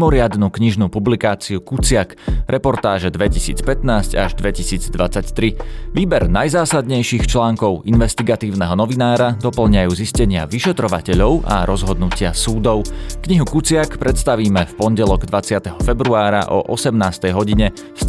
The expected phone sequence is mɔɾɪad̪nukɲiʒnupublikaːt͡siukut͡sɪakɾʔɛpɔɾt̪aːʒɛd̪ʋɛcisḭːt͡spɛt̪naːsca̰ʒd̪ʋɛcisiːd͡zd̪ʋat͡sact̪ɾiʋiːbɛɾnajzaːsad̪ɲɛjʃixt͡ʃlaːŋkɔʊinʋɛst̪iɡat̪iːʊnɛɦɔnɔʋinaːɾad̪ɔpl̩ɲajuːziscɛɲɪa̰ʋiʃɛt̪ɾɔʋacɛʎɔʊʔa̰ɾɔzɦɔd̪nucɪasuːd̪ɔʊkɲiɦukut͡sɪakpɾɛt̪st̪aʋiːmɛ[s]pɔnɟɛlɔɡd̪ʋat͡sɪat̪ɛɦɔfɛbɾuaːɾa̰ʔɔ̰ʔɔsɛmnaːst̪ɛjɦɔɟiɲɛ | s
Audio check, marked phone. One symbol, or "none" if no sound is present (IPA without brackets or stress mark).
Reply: f